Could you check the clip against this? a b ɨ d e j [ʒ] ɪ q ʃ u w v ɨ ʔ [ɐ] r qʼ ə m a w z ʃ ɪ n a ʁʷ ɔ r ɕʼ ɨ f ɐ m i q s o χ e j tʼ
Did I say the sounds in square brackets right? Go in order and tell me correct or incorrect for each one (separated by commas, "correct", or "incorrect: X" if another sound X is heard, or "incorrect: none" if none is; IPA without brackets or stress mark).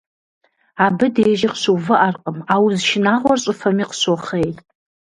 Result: correct, incorrect: a